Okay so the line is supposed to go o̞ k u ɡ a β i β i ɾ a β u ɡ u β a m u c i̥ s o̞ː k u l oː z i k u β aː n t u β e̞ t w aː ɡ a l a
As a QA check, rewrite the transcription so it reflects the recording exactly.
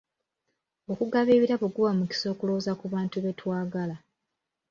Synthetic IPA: o̞ k u ɡ a β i β i ɾ a β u ɡ u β a m u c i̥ s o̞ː k u l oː z a k u β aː n t u β e̞ t w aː ɡ a l a